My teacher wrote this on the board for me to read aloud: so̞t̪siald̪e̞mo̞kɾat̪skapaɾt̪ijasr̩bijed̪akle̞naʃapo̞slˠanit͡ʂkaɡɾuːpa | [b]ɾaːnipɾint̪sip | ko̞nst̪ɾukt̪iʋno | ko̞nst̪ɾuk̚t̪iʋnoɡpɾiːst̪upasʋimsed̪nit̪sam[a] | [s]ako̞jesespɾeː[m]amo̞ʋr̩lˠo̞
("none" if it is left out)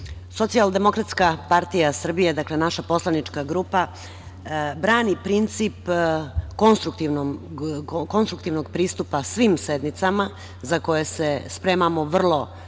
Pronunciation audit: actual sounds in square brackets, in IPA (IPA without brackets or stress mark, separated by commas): b, a, z, m